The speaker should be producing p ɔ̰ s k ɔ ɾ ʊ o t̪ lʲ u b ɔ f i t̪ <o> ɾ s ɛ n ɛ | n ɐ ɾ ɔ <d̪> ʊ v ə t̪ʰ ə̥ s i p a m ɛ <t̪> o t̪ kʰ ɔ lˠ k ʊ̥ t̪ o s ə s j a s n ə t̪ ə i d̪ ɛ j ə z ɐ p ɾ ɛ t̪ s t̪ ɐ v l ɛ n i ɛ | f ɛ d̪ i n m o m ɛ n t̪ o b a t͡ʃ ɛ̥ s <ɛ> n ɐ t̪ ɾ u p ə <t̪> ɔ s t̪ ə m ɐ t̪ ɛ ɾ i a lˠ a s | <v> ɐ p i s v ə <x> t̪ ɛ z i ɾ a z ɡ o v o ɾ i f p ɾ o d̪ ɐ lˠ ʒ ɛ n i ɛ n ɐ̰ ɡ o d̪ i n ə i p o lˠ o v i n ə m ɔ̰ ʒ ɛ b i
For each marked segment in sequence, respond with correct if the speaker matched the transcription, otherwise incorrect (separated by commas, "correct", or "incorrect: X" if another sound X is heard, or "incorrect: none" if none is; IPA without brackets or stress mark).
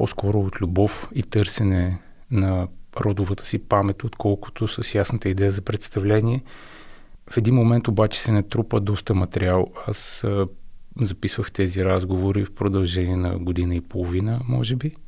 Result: incorrect: ɤ, correct, correct, correct, incorrect: d̪, incorrect: z, correct